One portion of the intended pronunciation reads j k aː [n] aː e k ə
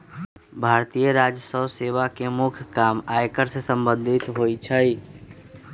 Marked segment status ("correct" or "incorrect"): incorrect